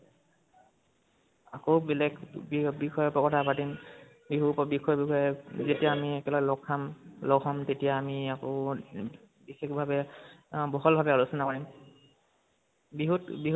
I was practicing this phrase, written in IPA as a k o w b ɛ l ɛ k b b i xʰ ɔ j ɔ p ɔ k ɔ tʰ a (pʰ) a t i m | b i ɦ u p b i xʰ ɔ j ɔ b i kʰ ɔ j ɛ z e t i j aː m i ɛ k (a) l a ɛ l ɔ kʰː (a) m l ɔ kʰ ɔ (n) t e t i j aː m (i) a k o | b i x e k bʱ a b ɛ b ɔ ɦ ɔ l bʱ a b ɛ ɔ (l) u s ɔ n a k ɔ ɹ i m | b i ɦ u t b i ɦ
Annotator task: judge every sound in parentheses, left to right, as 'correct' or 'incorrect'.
incorrect: p, incorrect: ɛ, correct, incorrect: m, correct, correct

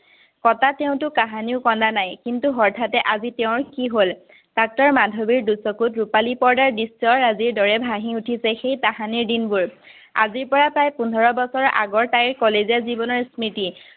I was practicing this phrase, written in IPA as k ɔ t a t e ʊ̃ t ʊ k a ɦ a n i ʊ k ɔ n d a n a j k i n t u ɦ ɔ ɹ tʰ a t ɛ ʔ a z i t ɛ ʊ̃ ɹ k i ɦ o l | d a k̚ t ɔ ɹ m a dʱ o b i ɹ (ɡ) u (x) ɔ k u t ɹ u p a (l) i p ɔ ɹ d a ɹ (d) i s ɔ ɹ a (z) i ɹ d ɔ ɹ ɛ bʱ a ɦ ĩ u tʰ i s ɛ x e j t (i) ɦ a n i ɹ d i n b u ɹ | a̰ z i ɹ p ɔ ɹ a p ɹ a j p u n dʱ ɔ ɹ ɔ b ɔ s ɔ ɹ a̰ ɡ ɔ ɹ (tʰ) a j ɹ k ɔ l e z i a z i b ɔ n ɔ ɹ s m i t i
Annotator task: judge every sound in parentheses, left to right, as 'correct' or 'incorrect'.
incorrect: d, incorrect: s, correct, correct, correct, incorrect: a, incorrect: t

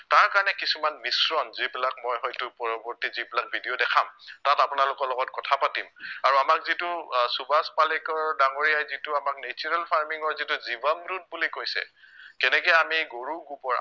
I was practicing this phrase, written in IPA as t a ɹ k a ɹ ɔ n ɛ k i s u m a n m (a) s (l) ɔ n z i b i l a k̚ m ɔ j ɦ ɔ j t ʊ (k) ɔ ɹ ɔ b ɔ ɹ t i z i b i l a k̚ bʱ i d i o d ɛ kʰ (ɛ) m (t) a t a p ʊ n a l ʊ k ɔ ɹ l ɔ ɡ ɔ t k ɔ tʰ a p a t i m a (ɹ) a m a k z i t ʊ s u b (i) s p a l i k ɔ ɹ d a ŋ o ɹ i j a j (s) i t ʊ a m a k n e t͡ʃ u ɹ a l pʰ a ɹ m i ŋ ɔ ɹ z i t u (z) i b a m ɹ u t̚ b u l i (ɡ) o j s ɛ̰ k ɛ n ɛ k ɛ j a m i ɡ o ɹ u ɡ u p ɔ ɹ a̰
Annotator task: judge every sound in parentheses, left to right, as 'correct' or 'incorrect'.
incorrect: i, incorrect: ɹ, incorrect: p, incorrect: a, correct, correct, incorrect: a, incorrect: z, correct, incorrect: k

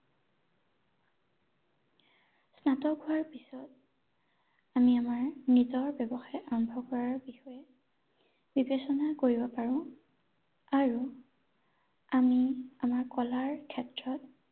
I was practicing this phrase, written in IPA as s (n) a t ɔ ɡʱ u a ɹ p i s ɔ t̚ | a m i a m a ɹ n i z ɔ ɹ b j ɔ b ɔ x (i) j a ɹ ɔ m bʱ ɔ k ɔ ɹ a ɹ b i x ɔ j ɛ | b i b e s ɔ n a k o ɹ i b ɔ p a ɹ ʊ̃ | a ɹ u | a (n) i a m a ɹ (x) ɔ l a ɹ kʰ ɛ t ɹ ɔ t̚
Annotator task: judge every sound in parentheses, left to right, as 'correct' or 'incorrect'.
correct, incorrect: a, incorrect: m, incorrect: k

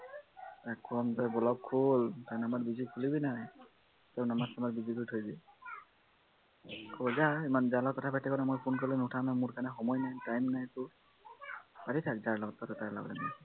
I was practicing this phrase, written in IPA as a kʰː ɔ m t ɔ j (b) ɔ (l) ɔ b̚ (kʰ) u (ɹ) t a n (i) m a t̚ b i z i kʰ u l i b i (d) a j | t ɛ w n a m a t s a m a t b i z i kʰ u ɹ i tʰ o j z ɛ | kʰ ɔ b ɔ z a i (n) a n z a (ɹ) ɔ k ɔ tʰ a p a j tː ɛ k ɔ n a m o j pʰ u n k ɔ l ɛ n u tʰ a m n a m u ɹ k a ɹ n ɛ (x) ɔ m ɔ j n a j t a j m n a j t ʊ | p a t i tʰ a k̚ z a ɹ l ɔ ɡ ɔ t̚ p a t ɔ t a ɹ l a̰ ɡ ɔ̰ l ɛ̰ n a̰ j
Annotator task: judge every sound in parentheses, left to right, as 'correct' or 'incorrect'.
correct, correct, correct, incorrect: l, incorrect: a, incorrect: n, incorrect: m, incorrect: l, correct

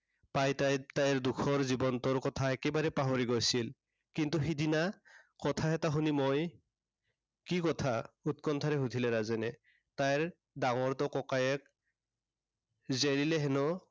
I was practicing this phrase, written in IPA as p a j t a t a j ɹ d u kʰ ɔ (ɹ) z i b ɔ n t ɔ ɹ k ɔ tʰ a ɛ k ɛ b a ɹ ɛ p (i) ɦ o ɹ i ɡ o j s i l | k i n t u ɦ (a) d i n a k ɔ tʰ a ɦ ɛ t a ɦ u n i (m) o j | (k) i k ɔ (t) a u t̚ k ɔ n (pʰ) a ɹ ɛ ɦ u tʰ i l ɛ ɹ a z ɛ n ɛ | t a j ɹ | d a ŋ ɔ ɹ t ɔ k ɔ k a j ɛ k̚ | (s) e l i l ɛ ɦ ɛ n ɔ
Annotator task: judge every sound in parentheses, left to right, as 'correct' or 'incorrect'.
correct, incorrect: a, incorrect: i, correct, correct, incorrect: tʰ, incorrect: tʰ, incorrect: z

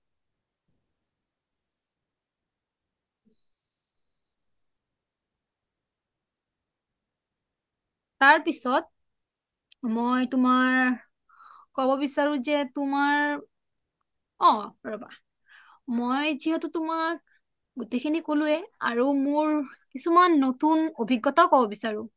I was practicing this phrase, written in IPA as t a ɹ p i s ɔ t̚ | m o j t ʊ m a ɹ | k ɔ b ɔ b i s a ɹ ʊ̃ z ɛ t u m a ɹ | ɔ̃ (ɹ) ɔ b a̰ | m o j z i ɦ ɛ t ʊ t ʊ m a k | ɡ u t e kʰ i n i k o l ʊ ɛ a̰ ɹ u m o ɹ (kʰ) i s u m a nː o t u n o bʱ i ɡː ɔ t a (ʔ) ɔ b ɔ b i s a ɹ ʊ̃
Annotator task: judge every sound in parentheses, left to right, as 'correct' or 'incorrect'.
correct, incorrect: k, incorrect: k

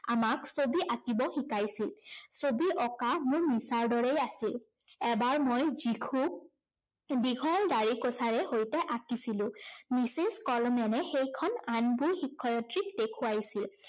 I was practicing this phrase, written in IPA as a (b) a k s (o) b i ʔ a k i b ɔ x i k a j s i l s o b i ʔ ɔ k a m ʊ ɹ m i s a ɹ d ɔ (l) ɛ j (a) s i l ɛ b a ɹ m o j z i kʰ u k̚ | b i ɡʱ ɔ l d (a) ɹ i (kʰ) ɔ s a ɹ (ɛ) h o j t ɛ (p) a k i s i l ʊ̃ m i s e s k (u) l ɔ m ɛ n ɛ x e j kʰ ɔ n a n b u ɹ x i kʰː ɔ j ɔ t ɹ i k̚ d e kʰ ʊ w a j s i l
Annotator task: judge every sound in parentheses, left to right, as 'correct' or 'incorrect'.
incorrect: m, correct, incorrect: ɹ, correct, correct, incorrect: k, correct, incorrect: ʔ, incorrect: ɔ

